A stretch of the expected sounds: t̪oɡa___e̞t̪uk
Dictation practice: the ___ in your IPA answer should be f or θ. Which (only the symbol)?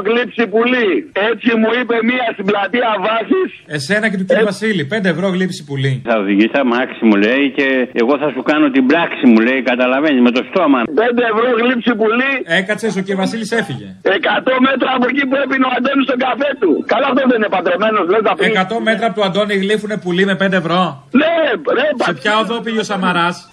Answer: f